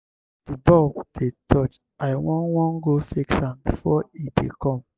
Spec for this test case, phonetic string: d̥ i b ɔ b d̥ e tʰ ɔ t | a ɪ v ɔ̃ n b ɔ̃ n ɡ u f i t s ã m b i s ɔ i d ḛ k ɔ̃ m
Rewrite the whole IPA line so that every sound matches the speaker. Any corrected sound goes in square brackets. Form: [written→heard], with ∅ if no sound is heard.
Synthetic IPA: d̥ i b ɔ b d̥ e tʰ ɔ [t→t͡ʃ] | a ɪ [v→w] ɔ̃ n [b→w] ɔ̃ n ɡ [u→o] f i [t→k] s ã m b i [s→f] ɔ i d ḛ k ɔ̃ m